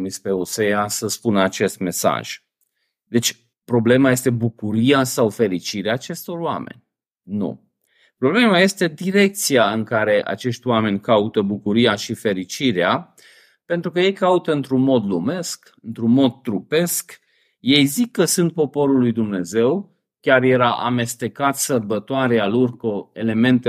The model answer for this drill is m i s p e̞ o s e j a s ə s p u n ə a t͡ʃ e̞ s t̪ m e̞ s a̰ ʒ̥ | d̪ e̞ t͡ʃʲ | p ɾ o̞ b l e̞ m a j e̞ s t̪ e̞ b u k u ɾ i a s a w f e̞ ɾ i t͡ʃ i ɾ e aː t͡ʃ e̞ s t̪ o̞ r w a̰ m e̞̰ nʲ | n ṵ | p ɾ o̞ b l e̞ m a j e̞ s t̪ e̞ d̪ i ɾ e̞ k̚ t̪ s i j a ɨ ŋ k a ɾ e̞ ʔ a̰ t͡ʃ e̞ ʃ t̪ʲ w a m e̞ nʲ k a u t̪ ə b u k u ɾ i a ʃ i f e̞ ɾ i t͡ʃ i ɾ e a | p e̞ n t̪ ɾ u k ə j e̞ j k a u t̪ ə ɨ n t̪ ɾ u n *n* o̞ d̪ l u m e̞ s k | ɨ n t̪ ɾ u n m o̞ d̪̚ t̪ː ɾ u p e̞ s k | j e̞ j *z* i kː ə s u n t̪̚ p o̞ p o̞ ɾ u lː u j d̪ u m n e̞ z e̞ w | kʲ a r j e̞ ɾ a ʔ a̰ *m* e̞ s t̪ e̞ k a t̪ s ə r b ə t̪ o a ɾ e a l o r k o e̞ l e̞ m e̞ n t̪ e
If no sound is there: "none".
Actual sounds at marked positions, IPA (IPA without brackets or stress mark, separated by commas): m, z, m